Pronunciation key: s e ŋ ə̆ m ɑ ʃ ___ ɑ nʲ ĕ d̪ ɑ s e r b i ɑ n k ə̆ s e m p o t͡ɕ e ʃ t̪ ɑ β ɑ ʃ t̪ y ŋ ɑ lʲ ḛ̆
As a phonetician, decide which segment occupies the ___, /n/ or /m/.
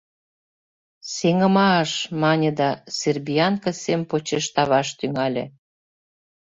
m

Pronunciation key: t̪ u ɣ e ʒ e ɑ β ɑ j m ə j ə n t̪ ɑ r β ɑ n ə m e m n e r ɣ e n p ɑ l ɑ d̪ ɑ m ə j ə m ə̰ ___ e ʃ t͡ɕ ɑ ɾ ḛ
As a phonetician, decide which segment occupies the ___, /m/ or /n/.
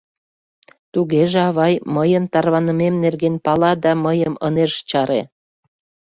n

